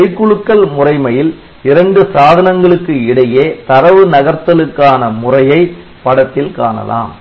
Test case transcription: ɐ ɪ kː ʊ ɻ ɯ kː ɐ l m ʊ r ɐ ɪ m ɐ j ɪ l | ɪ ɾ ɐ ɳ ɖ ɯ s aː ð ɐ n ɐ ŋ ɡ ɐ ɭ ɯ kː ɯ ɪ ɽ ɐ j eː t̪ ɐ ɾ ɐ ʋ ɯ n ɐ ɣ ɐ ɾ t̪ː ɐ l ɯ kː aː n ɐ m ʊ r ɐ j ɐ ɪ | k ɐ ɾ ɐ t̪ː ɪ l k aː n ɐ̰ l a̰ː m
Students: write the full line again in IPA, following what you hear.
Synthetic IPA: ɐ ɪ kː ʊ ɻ ɯ kː ɐ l m ʊ r ɐ ɪ m ɐ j ɪ l | ɪ ɾ ɐ ɳ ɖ ɯ s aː ð ɐ n ɐ ŋ ɡ ɐ ɭ ɯ kː ɯ ɪ ɽ ɐ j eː t̪ ɐ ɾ ɐ ʋ ɯ n ɐ ɣ ɐ ɾ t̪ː ɐ l ɯ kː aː n ɐ m ʊ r ɐ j ɐ ɪ | p ɐ ɽ ɐ t̪ː ɪ l k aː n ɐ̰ l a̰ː m